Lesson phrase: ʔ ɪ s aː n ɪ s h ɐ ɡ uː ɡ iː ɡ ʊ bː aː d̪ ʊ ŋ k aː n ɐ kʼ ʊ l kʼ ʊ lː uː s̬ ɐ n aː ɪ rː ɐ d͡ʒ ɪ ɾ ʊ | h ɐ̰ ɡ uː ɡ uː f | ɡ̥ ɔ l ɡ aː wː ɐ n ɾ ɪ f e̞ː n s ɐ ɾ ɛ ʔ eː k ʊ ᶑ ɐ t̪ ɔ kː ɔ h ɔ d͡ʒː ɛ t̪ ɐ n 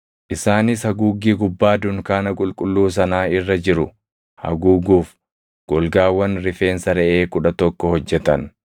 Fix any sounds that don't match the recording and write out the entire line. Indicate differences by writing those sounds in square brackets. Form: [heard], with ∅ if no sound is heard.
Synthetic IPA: ʔ ɪ s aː n ɪ s h ɐ ɡ uː ɡ iː ɡ ʊ bː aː d̪ ʊ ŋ k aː n ɐ kʼ ʊ l kʼ ʊ lː uː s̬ ɐ n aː ɪ rː ɐ d͡ʒ ɪ ɾ ʊ | h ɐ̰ ɡ uː ɡ uː f | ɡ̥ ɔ l ɡ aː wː ɐ n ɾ ɪ f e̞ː n s ɐ ɾ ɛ ʔ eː k ʊ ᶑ ɐ t̪ ɔ kː ɔ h ɔ d͡ʒː ɛ t̪ ɐ n

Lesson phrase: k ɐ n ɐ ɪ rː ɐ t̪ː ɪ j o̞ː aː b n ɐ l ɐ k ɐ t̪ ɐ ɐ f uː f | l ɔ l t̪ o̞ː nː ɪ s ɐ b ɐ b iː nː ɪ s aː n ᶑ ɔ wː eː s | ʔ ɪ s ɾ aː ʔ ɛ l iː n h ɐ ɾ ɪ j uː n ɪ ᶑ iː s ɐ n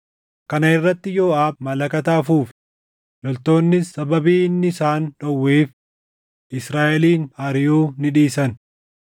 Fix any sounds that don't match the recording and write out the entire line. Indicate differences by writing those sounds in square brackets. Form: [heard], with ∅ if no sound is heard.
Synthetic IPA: k ɐ n ɐ ɪ rː ɐ t̪ː ɪ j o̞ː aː b [m] ɐ l ɐ k ɐ t̪ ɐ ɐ f uː f | l ɔ l t̪ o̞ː nː ɪ s ɐ b ɐ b iː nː ɪ s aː n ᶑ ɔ wː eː [f] | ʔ ɪ s ɾ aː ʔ ɛ l iː n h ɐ ɾ ɪ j uː n ɪ ᶑ iː s ɐ n

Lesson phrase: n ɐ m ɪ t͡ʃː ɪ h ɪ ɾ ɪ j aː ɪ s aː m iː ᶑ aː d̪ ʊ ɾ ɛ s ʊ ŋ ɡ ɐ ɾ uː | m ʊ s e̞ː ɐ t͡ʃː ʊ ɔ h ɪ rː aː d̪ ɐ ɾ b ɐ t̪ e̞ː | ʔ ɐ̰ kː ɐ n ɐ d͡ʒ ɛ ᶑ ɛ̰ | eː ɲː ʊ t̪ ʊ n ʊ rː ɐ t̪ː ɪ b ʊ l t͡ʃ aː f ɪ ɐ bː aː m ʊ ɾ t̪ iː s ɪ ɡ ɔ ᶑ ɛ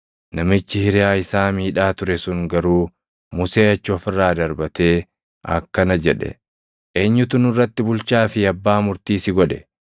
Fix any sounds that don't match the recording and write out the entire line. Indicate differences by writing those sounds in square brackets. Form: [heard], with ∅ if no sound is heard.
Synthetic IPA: n ɐ m ɪ t͡ʃː ɪ h ɪ ɾ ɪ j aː ɪ s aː m iː ᶑ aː [t̪] ʊ ɾ ɛ s ʊ ŋ ɡ ɐ ɾ uː | m ʊ s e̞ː ɐ t͡ʃː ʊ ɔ [f] ɪ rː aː d̪ ɐ ɾ b ɐ t̪ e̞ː | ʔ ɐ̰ kː ɐ n ɐ d͡ʒ ɛ ᶑ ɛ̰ | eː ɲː ʊ t̪ ʊ n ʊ rː ɐ t̪ː ɪ b ʊ l t͡ʃ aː f ɪ ɐ bː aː m ʊ ɾ t̪ iː s ɪ ɡ ɔ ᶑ ɛ

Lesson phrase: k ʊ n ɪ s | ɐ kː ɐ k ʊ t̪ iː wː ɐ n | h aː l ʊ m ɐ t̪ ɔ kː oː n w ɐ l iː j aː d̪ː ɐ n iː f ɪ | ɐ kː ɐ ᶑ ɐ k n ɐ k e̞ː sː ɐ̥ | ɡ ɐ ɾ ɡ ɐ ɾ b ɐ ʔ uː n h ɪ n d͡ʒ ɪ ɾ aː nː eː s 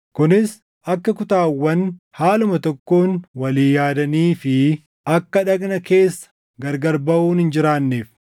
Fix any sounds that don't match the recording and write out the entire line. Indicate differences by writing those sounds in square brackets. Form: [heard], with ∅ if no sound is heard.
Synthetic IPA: k ʊ n ɪ s | ɐ kː ɐ k ʊ t̪ [aː] wː ɐ n | h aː l ʊ m ɐ t̪ ɔ kː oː n w ɐ l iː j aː [d̪] ɐ n iː f ɪ | ɐ kː ɐ ᶑ ɐ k n ɐ k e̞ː sː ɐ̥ | ɡ ɐ ɾ ɡ ɐ ɾ b ɐ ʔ uː n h ɪ n d͡ʒ ɪ ɾ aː nː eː [f]

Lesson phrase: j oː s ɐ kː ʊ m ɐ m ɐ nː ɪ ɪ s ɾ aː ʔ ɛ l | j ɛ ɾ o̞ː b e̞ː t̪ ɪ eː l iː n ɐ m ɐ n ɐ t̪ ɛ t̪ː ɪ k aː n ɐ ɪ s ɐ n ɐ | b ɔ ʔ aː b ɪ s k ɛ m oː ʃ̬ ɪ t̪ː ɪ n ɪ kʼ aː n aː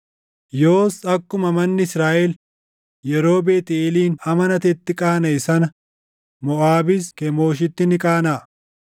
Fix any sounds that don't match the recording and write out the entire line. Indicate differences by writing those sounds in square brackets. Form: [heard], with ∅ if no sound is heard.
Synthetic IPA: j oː s ɐ kː ʊ m ɐ m ɐ nː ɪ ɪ s ɾ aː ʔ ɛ l | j ɛ ɾ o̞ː b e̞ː t̪ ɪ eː l iː n ɐ m ɐ n ɐ t̪ ɛ t̪ː ɪ [kʼ] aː n ɐ ɪ s ɐ n ɐ | [m] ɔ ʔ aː b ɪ s k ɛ m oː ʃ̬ ɪ t̪ː ɪ n ɪ kʼ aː n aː

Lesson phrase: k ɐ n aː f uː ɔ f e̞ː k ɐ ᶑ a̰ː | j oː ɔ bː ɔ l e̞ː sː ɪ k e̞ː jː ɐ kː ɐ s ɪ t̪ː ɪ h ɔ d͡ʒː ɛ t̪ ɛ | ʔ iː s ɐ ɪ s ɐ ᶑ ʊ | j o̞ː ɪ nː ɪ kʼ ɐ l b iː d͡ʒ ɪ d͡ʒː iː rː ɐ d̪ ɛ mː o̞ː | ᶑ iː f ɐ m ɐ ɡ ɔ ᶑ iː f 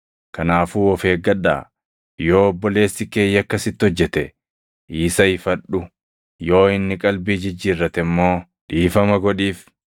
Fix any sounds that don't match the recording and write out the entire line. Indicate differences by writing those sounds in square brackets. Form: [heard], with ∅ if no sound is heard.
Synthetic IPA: k ɐ n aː f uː ɔ f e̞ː [ɡ] ɐ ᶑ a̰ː | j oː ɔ bː ɔ l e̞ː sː ɪ k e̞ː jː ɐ kː ɐ s ɪ t̪ː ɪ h ɔ d͡ʒː ɛ t̪ ɛ | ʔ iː s ɐ ɪ [f] ɐ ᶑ ʊ | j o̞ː ɪ nː ɪ kʼ ɐ l b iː d͡ʒ ɪ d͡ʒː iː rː ɐ [t̪] ɛ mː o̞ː | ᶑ iː f ɐ m ɐ ɡ ɔ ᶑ iː f

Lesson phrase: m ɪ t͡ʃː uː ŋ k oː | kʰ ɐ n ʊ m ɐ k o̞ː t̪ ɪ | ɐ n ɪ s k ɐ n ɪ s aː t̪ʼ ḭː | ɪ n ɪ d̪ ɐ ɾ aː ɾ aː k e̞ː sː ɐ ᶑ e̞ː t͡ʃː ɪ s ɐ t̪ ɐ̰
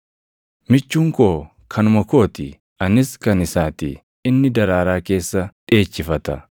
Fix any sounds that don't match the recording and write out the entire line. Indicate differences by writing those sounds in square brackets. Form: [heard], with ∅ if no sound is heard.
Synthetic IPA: m ɪ t͡ʃː uː ŋ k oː | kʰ ɐ n ʊ m ɐ k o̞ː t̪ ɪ | ɐ n ɪ s k ɐ n ɪ s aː [t̪] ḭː | ɪ [nː] ɪ d̪ ɐ ɾ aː ɾ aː k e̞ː sː ɐ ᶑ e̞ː t͡ʃː ɪ [f] ɐ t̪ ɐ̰

